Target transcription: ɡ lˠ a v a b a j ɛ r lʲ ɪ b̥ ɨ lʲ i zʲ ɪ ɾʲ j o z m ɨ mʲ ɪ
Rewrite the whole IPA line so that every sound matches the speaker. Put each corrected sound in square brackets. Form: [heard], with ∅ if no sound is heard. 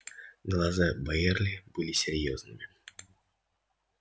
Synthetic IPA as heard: ɡ lˠ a [z] a b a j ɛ r lʲ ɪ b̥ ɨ lʲ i [sʲ] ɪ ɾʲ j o z [n] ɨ mʲ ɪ